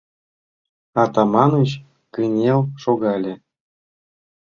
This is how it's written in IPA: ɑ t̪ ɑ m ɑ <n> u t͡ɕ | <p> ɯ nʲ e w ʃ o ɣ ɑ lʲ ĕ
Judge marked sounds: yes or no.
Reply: yes, no

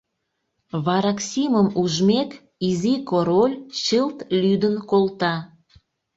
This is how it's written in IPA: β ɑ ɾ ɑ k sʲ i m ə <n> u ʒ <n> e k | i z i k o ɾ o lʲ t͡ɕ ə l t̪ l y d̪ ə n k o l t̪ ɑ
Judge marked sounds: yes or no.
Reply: no, no

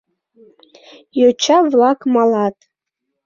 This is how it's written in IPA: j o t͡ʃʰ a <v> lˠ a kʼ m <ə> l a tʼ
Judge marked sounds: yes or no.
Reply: yes, no

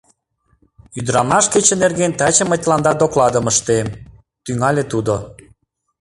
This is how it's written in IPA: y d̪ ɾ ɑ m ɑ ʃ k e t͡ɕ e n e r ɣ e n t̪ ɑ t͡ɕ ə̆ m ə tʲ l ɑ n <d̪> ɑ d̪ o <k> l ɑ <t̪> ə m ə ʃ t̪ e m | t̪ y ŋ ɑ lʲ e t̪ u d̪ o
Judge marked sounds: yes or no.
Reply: yes, yes, no

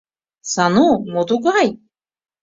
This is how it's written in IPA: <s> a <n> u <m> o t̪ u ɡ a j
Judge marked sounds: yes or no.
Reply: yes, yes, yes

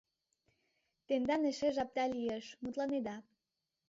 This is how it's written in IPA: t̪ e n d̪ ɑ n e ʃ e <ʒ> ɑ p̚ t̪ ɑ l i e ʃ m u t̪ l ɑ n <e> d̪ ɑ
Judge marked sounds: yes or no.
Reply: yes, yes

